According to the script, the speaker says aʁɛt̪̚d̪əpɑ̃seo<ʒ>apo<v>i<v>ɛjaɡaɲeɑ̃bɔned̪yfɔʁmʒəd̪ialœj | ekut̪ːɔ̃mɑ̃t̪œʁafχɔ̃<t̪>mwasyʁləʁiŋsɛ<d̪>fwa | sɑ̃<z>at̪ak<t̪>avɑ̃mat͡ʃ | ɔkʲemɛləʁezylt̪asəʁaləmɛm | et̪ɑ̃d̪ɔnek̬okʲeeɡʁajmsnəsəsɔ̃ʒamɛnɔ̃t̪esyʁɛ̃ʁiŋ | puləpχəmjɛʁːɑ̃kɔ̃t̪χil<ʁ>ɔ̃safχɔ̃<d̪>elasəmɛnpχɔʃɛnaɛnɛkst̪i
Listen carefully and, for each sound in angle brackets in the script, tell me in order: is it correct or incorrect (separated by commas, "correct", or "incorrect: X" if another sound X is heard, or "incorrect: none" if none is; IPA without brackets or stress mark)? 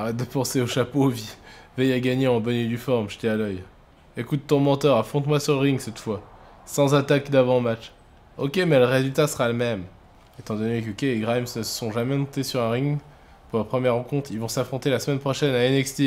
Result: incorrect: ʃ, correct, correct, correct, incorrect: t̪, correct, incorrect: d̪, incorrect: v, incorrect: t̪